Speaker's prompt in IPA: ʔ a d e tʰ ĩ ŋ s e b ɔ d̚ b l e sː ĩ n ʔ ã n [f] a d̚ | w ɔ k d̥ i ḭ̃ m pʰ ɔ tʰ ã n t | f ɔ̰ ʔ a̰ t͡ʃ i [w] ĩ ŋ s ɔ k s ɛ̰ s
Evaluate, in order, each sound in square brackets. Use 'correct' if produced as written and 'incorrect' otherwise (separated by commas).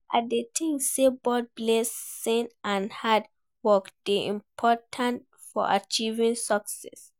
incorrect, incorrect